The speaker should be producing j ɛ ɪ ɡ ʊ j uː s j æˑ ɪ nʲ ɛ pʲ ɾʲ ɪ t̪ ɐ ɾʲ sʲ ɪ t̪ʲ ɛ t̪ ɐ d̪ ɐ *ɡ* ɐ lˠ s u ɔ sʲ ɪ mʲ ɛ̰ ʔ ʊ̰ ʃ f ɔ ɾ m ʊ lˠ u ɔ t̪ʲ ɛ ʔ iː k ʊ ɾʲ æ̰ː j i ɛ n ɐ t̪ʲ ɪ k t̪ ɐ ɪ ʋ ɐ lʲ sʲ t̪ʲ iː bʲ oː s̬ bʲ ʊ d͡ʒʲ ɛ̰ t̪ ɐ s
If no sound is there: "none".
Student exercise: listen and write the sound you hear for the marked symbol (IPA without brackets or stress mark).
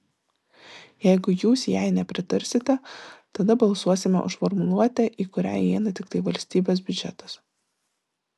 b